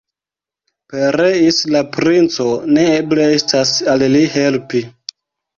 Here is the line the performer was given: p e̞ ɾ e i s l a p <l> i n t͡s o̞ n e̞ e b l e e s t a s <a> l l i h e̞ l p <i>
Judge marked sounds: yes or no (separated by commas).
no, yes, yes